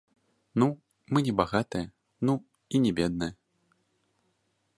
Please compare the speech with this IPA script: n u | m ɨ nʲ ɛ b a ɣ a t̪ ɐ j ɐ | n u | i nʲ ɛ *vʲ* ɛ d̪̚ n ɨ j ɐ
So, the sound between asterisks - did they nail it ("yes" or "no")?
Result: no